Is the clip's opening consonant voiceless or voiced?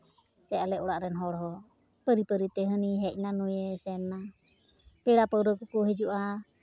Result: voiceless